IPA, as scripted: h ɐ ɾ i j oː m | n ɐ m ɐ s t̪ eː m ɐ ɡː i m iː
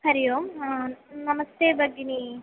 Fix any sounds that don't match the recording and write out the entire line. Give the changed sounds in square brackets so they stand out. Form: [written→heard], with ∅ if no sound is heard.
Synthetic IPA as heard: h ɐ ɾ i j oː m | n ɐ m ɐ s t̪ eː [m→b] ɐ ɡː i [m→n] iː